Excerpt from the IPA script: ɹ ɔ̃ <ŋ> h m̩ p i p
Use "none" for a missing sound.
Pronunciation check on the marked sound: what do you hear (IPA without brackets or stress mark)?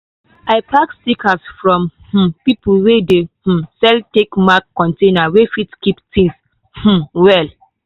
m